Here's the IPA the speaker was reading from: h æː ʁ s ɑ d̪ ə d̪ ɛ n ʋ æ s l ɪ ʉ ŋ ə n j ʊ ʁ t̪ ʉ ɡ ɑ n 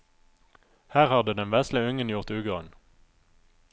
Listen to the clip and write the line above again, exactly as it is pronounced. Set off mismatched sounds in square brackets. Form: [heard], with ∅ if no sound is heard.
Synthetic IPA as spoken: h æː ʁ [h] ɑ d̪ ə d̪ ɛ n ʋ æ s l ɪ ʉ ŋ ə n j ʊ ʁ t̪ [ʉː] ɡ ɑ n